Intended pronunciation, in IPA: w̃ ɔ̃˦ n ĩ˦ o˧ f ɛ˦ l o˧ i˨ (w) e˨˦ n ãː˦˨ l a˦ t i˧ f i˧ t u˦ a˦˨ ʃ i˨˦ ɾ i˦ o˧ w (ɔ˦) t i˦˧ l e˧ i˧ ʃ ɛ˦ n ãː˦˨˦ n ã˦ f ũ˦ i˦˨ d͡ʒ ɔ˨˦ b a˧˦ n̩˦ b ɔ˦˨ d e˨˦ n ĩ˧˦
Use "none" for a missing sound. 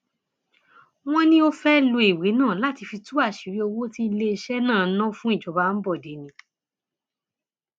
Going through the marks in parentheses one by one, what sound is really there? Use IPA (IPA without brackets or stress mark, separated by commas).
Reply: w, o˦